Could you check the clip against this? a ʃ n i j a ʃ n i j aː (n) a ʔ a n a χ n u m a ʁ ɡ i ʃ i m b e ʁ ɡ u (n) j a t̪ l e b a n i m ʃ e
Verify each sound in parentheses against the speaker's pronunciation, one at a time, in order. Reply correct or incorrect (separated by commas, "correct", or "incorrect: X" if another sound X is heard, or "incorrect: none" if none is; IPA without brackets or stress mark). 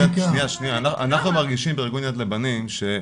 correct, correct